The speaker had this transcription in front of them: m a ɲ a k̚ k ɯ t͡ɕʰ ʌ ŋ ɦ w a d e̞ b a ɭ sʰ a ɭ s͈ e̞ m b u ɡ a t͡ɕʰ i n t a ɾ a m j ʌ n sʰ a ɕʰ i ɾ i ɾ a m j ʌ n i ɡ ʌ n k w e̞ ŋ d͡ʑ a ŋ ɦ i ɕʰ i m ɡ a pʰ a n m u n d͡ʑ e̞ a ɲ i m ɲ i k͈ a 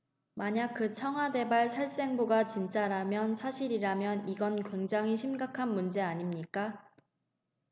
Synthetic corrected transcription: m a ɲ a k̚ k ɯ t͡ɕʰ ʌ ŋ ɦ w a d e̞ b a ɭ sʰ a ɭ s͈ e̞ ŋ b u ɡ a t͡ɕ i n t͡ɕ͈ a ɾ a m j ʌ n sʰ a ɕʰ i ɾ i ɾ a m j ʌ n i ɡ ʌ n k w e̞ ŋ d͡ʑ a ŋ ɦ i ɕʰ i m ɡ a kʰ a n m u n d͡ʑ e̞ a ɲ i m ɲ i k͈ a